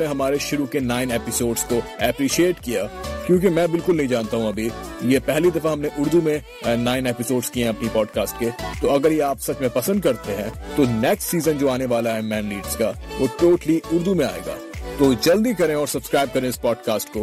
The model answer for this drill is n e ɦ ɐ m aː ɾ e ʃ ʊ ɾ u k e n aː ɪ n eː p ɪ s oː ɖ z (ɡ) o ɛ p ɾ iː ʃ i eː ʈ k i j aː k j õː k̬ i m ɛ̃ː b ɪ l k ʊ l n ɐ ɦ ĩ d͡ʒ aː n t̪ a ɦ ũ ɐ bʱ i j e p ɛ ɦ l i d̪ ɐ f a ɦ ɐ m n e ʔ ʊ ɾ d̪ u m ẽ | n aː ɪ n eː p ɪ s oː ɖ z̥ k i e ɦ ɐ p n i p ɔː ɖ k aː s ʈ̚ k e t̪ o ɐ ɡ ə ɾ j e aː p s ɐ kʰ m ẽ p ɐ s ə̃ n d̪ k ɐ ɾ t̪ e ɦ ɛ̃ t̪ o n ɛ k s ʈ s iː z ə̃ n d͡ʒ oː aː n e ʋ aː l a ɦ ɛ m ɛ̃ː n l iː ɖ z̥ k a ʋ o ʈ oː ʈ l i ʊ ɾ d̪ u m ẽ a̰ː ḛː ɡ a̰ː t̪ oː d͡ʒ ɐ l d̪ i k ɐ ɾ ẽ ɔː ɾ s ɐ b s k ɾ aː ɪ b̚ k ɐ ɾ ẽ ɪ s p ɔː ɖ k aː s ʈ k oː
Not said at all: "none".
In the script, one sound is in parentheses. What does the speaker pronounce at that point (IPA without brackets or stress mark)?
k